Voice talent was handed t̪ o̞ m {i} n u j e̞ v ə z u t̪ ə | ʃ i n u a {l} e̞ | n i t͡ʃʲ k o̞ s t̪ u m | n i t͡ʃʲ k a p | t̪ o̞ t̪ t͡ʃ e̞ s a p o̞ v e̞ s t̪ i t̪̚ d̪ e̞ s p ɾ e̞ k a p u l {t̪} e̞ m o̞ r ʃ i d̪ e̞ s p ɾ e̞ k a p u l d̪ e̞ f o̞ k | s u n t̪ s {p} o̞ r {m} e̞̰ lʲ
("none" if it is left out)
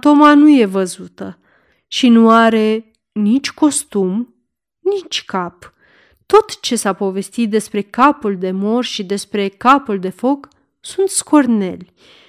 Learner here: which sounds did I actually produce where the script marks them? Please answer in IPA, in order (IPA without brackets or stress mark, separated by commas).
a, ɾ, d̪, k, n